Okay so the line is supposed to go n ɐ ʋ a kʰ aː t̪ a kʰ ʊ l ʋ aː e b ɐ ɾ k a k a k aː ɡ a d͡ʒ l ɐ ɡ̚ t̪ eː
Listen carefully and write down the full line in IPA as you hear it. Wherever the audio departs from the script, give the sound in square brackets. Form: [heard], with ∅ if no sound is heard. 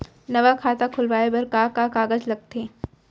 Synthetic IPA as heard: n ɐ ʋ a kʰ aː t̪ a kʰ ʊ l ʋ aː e b ɐ ɾ k a k a k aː ɡ [ə] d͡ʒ l ɐ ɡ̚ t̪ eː